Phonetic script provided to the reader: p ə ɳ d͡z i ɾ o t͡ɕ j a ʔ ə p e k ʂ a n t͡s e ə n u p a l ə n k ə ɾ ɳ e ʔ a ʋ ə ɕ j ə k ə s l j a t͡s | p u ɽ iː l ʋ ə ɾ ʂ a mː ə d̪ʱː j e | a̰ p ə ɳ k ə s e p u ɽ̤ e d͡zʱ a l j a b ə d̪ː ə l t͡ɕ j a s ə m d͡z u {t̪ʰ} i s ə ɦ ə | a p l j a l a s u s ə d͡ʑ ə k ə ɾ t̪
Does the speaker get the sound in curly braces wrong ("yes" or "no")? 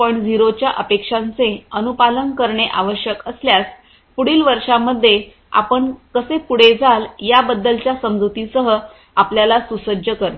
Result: yes